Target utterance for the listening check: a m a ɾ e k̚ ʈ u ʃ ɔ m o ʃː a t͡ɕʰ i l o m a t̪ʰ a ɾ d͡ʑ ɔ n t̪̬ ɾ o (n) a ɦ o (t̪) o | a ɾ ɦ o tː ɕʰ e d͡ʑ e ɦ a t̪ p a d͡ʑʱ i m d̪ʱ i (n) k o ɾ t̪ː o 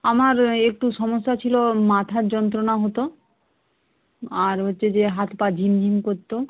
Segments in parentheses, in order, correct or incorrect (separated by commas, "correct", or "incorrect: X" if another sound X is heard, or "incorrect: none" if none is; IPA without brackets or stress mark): correct, correct, incorrect: m